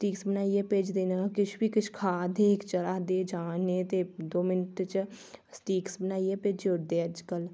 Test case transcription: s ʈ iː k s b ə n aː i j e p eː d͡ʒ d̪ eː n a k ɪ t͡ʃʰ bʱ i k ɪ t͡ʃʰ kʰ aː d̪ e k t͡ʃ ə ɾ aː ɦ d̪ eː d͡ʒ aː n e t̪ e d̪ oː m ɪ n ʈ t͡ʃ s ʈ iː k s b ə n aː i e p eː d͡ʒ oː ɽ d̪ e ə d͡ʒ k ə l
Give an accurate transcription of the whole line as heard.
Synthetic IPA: s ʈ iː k s b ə n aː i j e p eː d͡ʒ d̪ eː n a k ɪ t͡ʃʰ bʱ i k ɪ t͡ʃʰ kʰ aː d̪ e k t͡ʃ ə ɾ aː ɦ d̪ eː d͡ʒ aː n e t̪ e d̪ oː m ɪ n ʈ t͡ʃ s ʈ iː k s b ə n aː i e p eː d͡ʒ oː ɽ d̪ e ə d͡ʒ k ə l